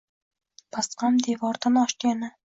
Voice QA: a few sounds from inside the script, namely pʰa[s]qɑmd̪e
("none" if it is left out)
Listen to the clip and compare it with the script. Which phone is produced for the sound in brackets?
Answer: s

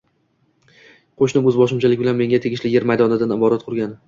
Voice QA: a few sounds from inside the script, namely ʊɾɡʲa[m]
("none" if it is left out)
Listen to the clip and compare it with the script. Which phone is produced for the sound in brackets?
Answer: n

